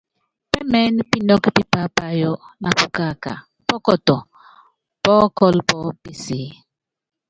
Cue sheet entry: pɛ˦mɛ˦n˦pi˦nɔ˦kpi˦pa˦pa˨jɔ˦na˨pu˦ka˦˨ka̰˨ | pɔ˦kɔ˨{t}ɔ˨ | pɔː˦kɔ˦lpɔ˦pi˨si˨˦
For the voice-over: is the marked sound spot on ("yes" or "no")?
yes